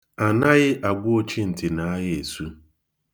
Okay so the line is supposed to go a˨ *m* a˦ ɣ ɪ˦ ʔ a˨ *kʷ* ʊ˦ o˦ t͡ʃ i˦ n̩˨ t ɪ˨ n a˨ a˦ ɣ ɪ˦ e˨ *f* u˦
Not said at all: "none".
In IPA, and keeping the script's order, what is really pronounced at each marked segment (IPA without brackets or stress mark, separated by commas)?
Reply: n, ɡʷ, s